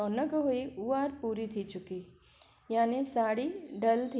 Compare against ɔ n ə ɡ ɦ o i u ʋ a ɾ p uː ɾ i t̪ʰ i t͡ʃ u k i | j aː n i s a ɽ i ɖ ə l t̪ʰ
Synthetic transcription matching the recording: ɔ n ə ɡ ɦ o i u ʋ a ɾ p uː ɾ i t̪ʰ i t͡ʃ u k i | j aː n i s a ɽ i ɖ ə l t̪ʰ